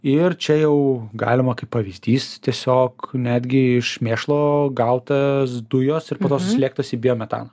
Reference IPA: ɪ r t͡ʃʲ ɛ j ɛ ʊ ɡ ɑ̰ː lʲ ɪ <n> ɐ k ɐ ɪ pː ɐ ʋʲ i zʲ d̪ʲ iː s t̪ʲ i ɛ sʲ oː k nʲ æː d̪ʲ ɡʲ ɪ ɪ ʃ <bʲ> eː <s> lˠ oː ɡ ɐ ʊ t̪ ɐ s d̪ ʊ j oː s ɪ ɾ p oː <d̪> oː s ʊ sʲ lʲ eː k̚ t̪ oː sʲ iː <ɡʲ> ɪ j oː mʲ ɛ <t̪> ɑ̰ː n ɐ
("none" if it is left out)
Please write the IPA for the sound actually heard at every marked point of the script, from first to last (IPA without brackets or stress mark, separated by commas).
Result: m, mʲ, ʃ, t̪, bʲ, t̪